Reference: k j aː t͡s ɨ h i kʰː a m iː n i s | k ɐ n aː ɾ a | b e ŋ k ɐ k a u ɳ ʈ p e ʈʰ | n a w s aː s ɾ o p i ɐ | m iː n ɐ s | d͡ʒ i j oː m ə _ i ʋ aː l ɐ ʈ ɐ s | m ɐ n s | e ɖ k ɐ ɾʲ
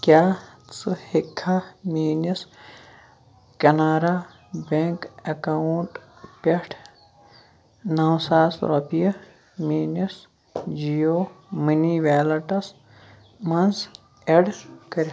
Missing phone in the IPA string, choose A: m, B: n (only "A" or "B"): B